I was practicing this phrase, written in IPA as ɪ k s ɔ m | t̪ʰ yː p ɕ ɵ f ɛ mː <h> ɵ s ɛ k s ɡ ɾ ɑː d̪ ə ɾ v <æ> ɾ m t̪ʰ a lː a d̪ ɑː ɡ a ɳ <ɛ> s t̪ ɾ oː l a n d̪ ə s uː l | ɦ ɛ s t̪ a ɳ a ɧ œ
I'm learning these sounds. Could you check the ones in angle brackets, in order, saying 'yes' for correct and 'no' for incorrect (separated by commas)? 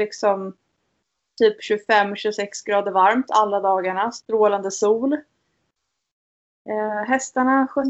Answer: no, no, no